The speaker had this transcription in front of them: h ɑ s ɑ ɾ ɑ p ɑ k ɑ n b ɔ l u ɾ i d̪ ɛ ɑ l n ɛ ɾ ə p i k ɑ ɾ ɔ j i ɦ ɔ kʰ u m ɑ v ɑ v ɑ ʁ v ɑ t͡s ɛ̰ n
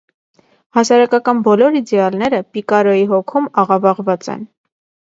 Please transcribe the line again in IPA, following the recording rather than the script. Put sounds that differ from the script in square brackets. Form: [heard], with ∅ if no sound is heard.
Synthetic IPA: h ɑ s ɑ ɾ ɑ [k] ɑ k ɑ n b ɔ l [ɔ] ɾ i d̪ ɛ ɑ l n ɛ ɾ ə p i k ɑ ɾ ɔ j i ɦ ɔ kʰ u m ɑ [ʁ] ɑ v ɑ ʁ v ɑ t͡s ɛ̰ n